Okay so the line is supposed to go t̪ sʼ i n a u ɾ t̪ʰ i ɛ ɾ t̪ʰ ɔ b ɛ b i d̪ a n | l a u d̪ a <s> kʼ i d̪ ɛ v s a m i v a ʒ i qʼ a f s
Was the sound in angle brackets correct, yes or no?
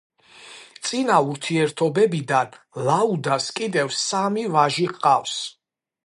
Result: yes